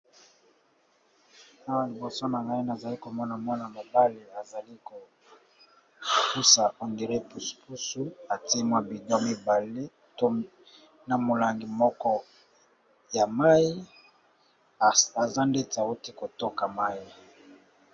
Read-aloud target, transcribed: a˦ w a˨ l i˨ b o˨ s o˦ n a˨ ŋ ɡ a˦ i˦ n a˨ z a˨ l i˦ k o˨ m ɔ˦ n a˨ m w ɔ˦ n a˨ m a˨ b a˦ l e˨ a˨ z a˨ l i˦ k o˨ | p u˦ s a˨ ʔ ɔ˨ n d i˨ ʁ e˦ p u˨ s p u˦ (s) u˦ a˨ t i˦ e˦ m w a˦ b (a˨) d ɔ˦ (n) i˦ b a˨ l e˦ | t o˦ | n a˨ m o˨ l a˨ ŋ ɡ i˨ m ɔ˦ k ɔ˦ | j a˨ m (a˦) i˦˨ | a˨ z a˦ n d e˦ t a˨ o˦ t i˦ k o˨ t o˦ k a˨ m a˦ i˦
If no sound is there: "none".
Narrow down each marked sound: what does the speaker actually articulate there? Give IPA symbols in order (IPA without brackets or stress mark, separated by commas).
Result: s, i˨, m, a˦